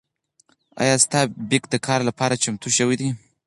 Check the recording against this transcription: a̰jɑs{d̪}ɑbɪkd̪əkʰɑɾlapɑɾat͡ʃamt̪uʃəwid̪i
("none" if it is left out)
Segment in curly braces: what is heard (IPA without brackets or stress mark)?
t̪